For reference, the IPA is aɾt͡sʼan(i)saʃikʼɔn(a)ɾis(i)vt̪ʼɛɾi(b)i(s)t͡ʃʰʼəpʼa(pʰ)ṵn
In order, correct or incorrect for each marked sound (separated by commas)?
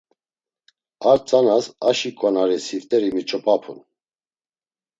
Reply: incorrect, correct, correct, incorrect, incorrect, correct